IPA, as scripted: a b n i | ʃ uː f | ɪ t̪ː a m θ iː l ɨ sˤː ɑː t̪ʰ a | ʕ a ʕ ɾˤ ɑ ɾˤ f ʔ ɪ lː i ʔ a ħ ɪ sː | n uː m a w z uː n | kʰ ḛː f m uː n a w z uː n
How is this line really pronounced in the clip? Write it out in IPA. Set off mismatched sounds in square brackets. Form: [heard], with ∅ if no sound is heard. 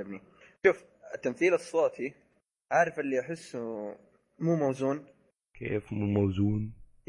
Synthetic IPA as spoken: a b n i | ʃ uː f | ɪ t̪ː a m θ iː l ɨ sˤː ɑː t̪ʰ [i] | ʕ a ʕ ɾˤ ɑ [∅] f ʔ ɪ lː i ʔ a ħ ɪ sː | [m] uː m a w z uː n | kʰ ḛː f m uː [m] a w z uː n